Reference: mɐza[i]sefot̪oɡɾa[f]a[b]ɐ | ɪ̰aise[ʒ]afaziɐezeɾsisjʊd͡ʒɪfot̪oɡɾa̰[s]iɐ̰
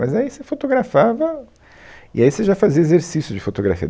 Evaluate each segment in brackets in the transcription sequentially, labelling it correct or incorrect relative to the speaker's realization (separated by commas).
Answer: correct, correct, incorrect, correct, incorrect